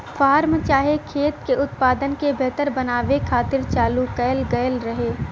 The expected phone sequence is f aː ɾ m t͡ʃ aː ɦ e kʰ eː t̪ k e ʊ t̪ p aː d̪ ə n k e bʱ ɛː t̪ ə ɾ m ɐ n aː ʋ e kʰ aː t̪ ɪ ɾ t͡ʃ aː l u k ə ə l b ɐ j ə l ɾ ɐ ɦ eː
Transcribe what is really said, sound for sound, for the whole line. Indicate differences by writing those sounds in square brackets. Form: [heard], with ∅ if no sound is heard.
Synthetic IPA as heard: f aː ɾ m t͡ʃ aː ɦ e kʰ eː t̪ k e ʊ t̪ p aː d̪ ə n k e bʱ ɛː t̪ ə ɾ [b] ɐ n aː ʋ e kʰ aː t̪ ɪ ɾ t͡ʃ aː l u k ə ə l [ɡ] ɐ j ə l ɾ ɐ ɦ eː